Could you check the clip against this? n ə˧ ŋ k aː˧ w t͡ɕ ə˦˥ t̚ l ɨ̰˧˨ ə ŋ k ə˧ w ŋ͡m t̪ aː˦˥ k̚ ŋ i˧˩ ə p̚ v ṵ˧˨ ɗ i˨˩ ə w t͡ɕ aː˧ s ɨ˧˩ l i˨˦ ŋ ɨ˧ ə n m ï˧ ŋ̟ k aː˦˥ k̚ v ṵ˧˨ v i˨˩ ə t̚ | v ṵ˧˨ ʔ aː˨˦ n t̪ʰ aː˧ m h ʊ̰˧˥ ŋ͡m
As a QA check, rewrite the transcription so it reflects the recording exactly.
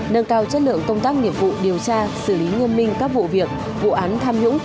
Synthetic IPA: n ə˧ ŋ k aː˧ w t͡ɕ ə˦˥ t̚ l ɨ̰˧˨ ə ŋ k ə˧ w ŋ͡m t̪ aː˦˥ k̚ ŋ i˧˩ ə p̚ v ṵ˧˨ ɗ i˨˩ ə w t͡ɕ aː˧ s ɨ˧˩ l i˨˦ ŋ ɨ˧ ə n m ï˧ ŋ̟ k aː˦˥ k̚ v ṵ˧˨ v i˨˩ ə k̚ | v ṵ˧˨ ʔ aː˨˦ n t̪ʰ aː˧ m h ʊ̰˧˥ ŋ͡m